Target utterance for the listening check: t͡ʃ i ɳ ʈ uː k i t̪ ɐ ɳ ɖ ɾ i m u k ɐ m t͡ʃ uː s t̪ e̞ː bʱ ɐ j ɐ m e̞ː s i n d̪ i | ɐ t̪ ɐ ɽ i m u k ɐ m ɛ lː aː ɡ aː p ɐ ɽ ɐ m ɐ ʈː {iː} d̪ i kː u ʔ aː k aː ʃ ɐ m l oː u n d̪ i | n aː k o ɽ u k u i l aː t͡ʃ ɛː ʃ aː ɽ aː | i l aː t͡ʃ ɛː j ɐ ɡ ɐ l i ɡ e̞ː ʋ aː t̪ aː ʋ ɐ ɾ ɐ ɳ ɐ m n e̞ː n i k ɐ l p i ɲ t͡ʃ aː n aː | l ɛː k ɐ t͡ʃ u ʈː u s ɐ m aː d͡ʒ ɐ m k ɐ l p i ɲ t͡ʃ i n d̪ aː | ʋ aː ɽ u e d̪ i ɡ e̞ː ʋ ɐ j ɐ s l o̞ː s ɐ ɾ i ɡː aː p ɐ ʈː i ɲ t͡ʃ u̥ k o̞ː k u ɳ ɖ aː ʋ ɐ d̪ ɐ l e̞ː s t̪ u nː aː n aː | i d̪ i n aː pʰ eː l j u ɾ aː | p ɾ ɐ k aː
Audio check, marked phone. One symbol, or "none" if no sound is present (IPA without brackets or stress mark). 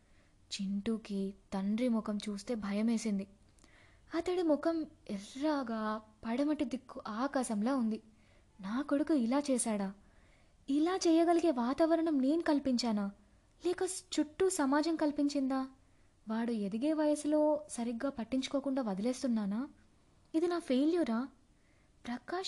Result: i